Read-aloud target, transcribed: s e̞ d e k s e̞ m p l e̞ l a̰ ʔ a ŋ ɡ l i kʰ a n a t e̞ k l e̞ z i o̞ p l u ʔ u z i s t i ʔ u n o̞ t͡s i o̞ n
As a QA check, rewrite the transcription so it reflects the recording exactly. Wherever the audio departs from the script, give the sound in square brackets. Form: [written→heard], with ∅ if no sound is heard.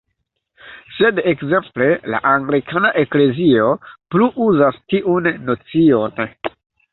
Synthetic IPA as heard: s e̞ d e k [s→z] e̞ m p l e̞ l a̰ ʔ a ŋ ɡ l i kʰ a n a [t→ʔ] e̞ k l e̞ z i o̞ p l u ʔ u z [i→a] s t i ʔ u [n→nː] o̞ t͡s i o̞ n